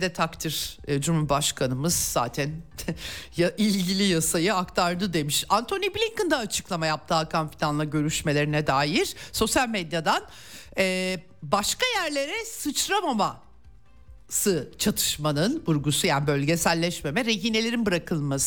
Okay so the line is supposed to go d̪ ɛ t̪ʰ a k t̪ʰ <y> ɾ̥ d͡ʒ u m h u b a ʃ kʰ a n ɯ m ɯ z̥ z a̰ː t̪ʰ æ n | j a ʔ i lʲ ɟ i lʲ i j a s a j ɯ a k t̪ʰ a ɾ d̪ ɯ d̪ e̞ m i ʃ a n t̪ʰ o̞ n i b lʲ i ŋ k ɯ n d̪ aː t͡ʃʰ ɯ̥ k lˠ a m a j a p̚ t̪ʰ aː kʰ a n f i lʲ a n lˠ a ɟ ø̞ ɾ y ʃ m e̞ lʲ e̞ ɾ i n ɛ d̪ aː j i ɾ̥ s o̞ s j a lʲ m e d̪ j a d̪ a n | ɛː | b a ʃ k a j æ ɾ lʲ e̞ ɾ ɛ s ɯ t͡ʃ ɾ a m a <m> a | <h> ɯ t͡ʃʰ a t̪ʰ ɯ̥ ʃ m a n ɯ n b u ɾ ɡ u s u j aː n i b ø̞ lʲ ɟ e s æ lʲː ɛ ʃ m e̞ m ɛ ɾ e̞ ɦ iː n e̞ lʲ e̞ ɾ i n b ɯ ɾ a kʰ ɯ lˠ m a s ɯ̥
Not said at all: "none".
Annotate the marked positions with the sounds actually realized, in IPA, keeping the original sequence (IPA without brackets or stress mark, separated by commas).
i, m, s